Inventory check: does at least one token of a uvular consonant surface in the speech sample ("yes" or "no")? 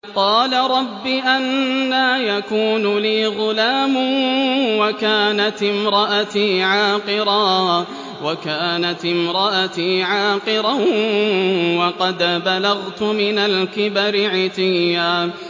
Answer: yes